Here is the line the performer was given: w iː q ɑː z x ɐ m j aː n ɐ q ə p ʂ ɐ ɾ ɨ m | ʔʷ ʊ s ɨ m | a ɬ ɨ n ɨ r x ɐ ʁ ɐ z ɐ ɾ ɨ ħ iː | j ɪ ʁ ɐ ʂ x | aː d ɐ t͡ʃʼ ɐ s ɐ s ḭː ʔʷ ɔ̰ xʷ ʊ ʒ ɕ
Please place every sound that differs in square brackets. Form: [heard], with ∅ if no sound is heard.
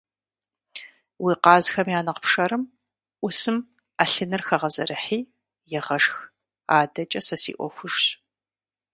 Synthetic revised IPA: w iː q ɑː z x ɐ m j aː n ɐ q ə p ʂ ɐ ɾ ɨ m | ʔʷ ʊ s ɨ m | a ɬ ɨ n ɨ r x ɐ ʁ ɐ z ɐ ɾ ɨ ħ iː | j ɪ ʁ ɐ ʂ x | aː d ɐ t͡ʃʼ ɐ s ɐ s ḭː ʔʷ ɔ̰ xʷ ʊ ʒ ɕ